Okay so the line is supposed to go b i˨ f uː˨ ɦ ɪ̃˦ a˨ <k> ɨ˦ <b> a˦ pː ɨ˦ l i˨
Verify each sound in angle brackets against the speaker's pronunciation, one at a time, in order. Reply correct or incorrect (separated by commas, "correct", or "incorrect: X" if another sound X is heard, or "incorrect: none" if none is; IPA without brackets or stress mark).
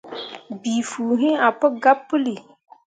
incorrect: p, incorrect: ɡ